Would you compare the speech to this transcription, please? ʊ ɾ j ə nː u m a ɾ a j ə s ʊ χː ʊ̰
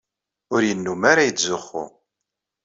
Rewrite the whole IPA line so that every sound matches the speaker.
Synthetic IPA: ʊ ɾ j ə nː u m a ɾ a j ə z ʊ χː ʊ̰

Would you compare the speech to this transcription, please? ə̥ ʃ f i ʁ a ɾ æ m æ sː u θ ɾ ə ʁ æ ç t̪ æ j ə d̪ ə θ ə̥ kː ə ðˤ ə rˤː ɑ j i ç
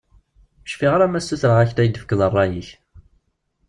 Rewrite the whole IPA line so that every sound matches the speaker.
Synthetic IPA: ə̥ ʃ f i ʁ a ɾ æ m æ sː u θ ɾ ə ʁ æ ç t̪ æ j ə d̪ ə f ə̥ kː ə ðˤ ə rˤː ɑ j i ç

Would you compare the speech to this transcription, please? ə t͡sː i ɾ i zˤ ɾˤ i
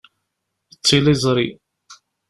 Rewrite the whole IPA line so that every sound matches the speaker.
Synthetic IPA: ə t͡sː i l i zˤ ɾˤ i

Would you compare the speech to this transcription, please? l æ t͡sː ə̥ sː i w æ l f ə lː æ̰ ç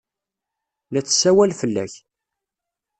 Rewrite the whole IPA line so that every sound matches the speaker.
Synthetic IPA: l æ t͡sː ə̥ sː æ w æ l f ə lː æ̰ ç

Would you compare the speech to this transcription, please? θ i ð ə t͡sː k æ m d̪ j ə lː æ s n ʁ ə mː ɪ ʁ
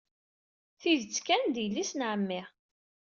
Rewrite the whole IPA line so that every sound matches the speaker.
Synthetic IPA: θ i ð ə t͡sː k æ n d̪ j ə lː i s n ʕ ə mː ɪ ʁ

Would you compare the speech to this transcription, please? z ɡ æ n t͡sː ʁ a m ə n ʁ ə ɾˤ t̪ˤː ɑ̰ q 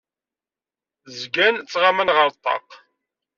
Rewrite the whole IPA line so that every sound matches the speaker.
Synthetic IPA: z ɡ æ n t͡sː ʁ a m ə n ʁ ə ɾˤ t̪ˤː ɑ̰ q

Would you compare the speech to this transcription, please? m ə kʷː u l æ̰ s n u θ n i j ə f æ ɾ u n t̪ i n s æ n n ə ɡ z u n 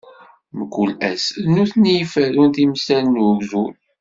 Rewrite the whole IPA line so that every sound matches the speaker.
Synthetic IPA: m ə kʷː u l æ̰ s n u θ n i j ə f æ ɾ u n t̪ i m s æ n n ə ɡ z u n

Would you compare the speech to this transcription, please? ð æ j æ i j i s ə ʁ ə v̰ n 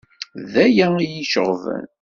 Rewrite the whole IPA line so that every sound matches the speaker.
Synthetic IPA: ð æ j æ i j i ʃ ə ʁ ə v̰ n

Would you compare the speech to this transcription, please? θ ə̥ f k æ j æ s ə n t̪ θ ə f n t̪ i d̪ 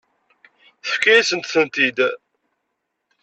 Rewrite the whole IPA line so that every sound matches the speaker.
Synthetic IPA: θ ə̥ f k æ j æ s ə n t̪ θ ə n t̪ i d̪

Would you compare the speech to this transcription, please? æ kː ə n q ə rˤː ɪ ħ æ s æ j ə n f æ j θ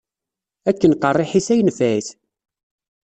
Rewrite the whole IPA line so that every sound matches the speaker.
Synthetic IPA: æ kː ə n q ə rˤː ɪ ħ i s æ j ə n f æ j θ

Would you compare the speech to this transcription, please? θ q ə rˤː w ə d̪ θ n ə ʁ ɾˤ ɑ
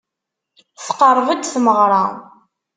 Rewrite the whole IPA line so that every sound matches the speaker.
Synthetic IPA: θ q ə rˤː v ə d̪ θ m ə ʁ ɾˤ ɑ

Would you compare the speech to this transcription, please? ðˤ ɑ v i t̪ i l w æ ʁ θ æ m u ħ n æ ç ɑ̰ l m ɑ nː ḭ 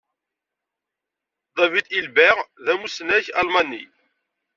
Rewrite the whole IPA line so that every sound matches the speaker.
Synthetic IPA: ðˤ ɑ v i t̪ i l b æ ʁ ð æ m u s n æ ç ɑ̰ l m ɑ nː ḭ

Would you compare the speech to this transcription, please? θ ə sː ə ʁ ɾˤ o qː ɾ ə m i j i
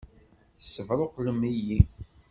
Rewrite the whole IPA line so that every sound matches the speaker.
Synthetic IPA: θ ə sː ə v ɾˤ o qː l ə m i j i

